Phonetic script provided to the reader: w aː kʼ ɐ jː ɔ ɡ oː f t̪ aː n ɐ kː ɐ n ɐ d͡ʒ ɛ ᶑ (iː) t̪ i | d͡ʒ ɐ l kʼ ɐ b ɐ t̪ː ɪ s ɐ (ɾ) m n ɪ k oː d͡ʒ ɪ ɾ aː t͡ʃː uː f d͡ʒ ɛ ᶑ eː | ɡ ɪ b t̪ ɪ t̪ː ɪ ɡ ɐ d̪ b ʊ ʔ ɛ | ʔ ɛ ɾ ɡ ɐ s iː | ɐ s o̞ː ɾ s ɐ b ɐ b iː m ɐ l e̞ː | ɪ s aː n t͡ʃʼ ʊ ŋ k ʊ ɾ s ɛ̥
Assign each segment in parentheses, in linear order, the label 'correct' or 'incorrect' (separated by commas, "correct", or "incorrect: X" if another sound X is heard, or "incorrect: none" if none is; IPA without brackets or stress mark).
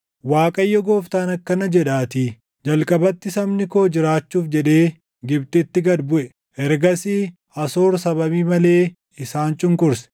incorrect: aː, incorrect: none